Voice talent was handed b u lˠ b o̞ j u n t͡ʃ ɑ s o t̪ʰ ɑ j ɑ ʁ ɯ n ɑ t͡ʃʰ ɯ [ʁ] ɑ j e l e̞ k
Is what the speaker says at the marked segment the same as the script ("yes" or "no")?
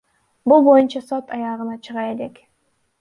yes